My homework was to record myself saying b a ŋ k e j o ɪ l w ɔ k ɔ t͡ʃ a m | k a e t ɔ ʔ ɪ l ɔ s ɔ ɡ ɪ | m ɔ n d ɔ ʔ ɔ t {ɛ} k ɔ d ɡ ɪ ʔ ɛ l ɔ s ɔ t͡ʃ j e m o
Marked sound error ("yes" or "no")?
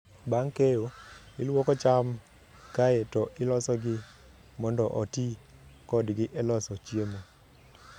yes